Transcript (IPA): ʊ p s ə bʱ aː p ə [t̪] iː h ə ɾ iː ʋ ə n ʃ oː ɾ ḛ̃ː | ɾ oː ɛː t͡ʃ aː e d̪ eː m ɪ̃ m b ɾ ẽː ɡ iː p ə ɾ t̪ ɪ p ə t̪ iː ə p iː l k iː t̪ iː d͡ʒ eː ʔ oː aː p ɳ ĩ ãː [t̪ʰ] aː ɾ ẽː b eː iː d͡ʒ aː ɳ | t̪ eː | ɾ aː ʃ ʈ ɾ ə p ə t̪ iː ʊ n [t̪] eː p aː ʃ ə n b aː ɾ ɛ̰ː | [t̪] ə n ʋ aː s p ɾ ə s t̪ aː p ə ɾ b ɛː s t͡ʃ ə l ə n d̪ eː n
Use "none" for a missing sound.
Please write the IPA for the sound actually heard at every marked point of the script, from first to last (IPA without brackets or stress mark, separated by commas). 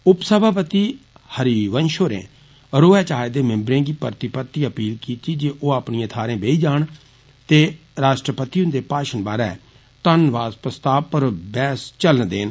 t̪, t̪ʰ, d̪, t̪